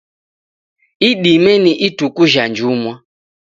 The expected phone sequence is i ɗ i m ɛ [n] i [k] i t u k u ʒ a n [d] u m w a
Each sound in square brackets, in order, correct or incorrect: correct, incorrect: ʔ, incorrect: d͡ʒ

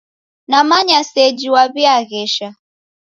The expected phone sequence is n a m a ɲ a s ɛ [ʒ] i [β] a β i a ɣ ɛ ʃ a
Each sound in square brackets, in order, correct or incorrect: incorrect: d͡ʒ, incorrect: w

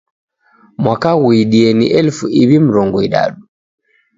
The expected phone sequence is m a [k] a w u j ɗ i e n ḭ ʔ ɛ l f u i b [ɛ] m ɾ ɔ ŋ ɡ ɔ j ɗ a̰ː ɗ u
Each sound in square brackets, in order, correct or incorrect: correct, incorrect: i

